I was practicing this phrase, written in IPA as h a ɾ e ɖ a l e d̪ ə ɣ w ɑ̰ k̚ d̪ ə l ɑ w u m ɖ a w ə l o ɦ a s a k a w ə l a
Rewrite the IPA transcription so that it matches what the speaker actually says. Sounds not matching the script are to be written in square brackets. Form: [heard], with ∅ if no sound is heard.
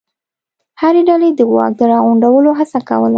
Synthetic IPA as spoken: h a ɾ e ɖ a l e d̪ ə ɣ w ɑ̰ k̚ d̪ ə [ɾ] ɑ [ɣ] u [ɳ] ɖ a w ə l o ɦ a s a k a w ə l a